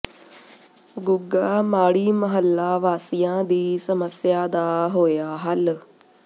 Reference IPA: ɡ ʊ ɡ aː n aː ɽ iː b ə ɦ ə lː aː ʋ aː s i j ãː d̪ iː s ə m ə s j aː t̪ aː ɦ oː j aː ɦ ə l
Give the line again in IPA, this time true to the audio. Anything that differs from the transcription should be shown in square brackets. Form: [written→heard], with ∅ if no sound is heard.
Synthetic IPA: ɡ ʊ ɡ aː [n→m] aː ɽ iː [b→m] ə ɦ ə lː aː ʋ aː s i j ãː d̪ iː s ə m ə s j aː [t̪→d̪] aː ɦ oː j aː ɦ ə l

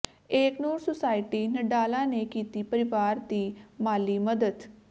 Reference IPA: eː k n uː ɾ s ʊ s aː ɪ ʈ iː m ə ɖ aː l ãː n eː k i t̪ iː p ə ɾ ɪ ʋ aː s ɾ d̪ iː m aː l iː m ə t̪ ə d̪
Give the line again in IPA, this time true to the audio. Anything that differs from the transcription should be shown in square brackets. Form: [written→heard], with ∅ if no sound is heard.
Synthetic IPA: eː k n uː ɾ s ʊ s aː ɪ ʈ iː [m→n] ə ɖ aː l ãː n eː k [i→iː] t̪ iː p ə ɾ ɪ ʋ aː [s→∅] ɾ d̪ iː m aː l iː m ə [t̪→d̪] ə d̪

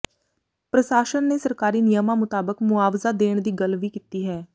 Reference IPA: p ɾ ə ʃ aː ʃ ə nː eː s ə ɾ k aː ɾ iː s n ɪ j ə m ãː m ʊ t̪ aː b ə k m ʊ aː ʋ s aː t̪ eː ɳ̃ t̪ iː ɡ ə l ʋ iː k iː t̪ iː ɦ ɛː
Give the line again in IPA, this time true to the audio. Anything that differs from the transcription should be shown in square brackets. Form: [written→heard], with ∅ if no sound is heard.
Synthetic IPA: p ɾ ə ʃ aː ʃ ə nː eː s ə ɾ k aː ɾ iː [s→∅] n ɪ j ə m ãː m ʊ t̪ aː b ə k m ʊ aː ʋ [s→z] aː [t̪→d̪] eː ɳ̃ [t̪→d̪] iː ɡ ə l ʋ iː k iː t̪ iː ɦ ɛː

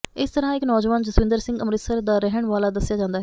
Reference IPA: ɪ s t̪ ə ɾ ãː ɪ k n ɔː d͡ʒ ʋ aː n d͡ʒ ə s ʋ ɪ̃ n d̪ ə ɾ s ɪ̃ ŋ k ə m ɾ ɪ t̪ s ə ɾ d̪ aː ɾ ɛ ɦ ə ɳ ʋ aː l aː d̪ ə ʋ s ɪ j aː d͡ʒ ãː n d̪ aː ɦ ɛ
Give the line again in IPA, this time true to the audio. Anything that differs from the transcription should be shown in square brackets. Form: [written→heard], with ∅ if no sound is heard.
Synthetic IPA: ɪ s t̪ ə ɾ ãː ɪ k n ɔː d͡ʒ ʋ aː n d͡ʒ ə s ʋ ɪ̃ n d̪ ə ɾ s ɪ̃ ŋ [k→ɡ] ə m ɾ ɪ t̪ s ə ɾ d̪ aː ɾ ɛ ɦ ə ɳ ʋ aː l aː d̪ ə [ʋ→∅] s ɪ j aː d͡ʒ ãː n d̪ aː ɦ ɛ

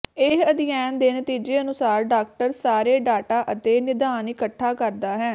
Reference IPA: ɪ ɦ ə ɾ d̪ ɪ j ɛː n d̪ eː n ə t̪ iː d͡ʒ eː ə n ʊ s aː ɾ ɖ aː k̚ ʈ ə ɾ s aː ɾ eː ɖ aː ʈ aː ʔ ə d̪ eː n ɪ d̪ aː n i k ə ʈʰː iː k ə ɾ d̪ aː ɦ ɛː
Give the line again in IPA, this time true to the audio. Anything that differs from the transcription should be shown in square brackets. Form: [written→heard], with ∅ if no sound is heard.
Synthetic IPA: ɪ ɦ ə [ɾ→∅] d̪ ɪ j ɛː n d̪ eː n ə t̪ iː d͡ʒ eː ə n ʊ s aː ɾ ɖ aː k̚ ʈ ə ɾ s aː ɾ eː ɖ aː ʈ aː ʔ ə [d̪→t̪] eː n ɪ d̪ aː n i k ə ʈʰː [iː→aː] k ə ɾ d̪ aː ɦ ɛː

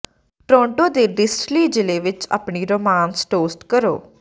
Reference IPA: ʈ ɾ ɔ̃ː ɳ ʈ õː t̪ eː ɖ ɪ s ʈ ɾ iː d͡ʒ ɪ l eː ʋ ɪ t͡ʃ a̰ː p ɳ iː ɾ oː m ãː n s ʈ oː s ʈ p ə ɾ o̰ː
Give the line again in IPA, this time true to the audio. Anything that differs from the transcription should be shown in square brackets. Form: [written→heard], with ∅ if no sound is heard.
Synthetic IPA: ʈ ɾ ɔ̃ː ɳ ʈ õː [t̪→d̪] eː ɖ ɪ s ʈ [ɾ→l] iː d͡ʒ ɪ l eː ʋ ɪ t͡ʃ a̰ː p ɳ iː ɾ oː m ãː n s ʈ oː s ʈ [p→k] ə ɾ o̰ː

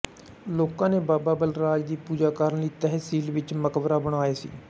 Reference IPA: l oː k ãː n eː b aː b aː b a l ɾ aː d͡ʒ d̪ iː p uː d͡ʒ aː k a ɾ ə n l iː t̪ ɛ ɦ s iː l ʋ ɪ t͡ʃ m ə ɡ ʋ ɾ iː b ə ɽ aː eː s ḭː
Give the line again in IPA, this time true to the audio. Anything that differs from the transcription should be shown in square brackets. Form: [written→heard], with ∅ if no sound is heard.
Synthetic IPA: l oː k ãː n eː b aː b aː b [a→ə] l ɾ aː d͡ʒ d̪ iː p uː d͡ʒ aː k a ɾ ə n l iː t̪ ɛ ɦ s iː l ʋ ɪ t͡ʃ m ə [ɡ→k] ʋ ɾ [iː→aː] b ə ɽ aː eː s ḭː

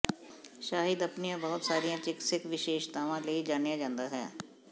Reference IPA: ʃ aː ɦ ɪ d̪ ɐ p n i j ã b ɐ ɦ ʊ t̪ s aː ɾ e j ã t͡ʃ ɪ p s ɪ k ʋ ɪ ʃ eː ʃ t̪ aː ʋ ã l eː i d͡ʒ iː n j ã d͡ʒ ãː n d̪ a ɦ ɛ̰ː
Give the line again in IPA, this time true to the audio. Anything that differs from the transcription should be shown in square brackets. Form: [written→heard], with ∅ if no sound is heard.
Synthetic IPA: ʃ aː ɦ ɪ d̪ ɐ p n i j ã b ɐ ɦ ʊ t̪ s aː ɾ [e→i] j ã t͡ʃ ɪ [p→k] s ɪ k ʋ ɪ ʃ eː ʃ t̪ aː ʋ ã l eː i d͡ʒ [iː→aː] n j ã d͡ʒ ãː n d̪ a ɦ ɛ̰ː

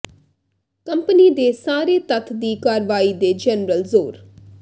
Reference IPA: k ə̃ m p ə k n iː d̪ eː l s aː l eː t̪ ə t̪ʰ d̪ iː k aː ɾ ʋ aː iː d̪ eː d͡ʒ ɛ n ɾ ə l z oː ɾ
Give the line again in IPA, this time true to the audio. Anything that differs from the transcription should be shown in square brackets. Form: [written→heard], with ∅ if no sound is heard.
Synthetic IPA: k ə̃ m p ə [k→∅] n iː d̪ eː [l→∅] s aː [l→ɾ] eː t̪ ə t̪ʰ d̪ iː k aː ɾ ʋ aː iː d̪ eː d͡ʒ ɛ n ɾ ə l z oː ɾ

